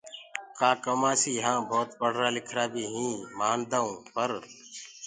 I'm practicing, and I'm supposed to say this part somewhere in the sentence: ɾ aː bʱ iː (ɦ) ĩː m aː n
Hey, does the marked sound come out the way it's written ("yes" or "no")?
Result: yes